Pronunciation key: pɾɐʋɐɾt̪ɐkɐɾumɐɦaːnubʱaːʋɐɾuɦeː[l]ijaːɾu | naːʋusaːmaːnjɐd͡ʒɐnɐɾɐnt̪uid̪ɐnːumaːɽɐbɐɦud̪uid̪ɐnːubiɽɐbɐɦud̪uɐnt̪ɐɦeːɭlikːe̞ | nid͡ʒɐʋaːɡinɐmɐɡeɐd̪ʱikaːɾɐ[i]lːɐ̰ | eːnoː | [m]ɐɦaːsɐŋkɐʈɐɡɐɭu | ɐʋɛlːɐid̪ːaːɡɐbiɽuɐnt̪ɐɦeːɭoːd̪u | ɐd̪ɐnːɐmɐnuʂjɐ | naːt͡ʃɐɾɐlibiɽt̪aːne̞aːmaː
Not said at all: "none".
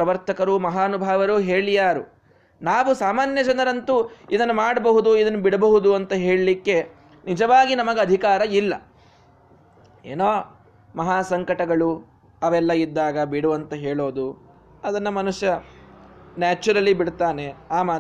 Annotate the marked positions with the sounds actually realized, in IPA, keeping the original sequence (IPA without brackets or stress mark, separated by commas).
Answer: ɭ, i, m